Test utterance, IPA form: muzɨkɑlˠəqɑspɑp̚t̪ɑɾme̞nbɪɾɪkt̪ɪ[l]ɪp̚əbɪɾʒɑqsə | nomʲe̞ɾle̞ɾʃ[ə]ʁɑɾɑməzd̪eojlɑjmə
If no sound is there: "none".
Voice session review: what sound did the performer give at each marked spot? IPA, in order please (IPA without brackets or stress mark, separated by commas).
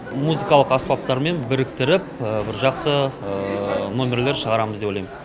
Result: ɾ, ə